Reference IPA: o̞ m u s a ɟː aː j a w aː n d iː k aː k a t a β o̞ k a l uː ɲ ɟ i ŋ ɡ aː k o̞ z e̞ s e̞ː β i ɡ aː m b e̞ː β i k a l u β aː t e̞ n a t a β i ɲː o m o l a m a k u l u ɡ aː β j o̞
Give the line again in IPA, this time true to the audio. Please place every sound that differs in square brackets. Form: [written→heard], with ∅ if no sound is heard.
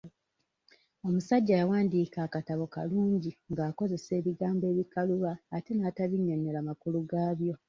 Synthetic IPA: o̞ m u s a ɟː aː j a w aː n d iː k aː k a t a β o̞ k a l uː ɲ ɟ i ŋ ɡ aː k o̞ z e̞ s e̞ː β i ɡ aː m b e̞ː β i k a l u β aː t e̞ n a t a β i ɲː o [m→ɲ] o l a m a k u l u ɡ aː β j o̞